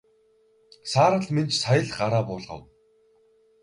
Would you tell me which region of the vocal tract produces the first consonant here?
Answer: tongue tip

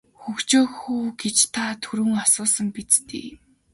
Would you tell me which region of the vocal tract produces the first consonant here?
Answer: velum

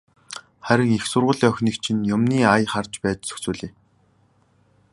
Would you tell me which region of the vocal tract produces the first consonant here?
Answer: uvula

